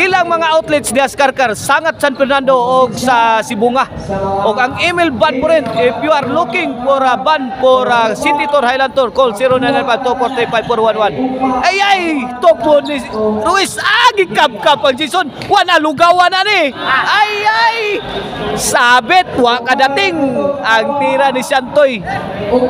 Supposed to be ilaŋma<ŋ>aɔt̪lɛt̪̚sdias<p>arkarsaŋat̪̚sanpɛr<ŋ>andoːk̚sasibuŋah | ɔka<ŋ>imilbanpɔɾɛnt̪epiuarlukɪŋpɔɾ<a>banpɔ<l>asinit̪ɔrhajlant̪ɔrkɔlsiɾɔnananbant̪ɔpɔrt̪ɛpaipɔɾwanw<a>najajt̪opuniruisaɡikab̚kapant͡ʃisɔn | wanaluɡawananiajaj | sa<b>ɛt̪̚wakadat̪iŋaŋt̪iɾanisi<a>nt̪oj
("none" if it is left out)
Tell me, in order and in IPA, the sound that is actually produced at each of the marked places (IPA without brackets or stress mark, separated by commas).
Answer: ŋ, k, n, ŋ, a, ɾ, a, b, a